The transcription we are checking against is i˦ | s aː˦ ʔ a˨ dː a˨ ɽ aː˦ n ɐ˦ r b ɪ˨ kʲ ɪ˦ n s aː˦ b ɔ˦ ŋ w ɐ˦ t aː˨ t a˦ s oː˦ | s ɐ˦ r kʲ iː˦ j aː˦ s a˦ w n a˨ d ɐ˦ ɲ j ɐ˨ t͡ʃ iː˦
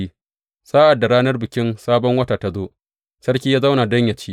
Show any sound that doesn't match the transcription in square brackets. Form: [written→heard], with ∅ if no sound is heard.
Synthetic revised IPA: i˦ | s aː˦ ʔ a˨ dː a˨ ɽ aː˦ n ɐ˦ r b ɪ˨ kʲ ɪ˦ n s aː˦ b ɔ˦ ŋ w ɐ˦ t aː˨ t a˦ [s→z] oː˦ | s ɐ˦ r kʲ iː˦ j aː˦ [s→z] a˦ w n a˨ d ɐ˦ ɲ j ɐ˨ t͡ʃ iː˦